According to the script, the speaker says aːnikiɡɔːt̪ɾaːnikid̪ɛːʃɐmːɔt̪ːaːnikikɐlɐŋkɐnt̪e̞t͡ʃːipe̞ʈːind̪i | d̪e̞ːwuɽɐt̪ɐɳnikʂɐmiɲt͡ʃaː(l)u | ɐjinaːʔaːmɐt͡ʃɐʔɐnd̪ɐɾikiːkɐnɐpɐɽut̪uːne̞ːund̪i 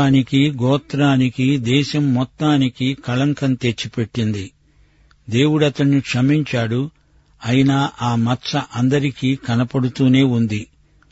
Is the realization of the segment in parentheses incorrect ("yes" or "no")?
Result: yes